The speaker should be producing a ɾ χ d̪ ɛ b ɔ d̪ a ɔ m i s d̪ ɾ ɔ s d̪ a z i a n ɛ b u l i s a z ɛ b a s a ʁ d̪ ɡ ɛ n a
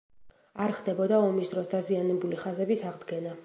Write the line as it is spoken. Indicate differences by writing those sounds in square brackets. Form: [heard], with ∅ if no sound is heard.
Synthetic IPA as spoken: a ɾ χ d̪ ɛ b ɔ d̪ a ɔ m i s d̪ ɾ ɔ s d̪ a z i a n ɛ b u l i [χ] a z ɛ b [i] s a ʁ d̪ ɡ ɛ n a